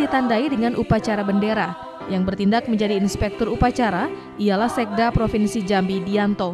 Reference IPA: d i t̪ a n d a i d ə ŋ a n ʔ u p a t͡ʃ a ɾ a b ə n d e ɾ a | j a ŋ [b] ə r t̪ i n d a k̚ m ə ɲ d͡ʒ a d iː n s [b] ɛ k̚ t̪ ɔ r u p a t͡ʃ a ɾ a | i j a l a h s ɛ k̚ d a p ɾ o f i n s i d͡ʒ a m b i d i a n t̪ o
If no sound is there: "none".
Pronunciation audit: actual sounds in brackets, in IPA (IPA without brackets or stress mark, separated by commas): b, p